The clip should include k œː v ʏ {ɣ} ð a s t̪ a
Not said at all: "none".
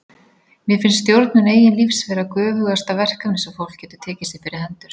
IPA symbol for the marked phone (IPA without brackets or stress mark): ɣ